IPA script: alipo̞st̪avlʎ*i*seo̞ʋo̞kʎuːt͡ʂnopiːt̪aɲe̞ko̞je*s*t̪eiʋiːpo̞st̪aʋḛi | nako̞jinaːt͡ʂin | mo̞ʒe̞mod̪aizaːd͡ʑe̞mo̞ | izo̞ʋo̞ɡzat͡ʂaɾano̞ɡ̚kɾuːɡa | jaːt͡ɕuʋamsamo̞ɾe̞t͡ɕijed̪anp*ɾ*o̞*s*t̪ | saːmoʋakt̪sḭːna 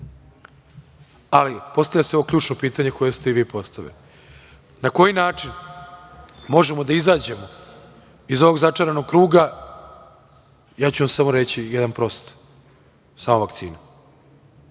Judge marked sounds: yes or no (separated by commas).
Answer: no, yes, yes, yes